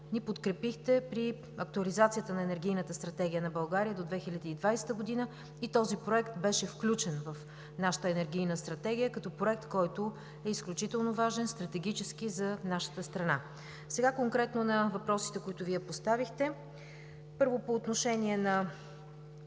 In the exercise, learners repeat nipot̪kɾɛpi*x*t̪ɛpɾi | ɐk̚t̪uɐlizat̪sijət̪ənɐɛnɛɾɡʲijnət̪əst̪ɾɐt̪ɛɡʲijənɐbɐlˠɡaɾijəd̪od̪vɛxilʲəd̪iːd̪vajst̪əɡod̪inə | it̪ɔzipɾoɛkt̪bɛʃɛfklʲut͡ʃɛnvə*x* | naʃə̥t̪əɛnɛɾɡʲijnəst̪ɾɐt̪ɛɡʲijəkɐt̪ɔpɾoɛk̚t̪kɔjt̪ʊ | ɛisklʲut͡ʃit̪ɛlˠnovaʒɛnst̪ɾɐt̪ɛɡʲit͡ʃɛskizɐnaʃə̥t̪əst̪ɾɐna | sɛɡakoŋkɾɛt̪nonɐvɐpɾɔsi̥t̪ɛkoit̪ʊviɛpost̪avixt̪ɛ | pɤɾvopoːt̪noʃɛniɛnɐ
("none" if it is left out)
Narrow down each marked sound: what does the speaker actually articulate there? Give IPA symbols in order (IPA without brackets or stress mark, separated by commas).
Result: x, f